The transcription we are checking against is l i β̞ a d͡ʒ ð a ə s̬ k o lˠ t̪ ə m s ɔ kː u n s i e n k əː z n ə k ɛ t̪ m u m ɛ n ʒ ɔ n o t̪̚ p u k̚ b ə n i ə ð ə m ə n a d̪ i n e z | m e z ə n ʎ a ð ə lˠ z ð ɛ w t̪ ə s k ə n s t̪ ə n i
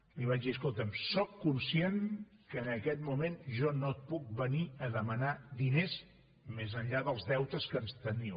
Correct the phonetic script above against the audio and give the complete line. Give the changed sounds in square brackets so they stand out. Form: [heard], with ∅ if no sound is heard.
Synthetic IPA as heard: l i β̞ a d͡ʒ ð [i] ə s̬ k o lˠ t̪ ə m s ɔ kː u n s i e n k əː [∅] n ə k ɛ t̪ m u m [e] n ʒ ɔ n o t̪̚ p u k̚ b ə n i ə ð ə m ə n a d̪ i n e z | m e z ə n ʎ a ð ə lˠ z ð ɛ w t̪ ə s k ə n s t̪ ə n i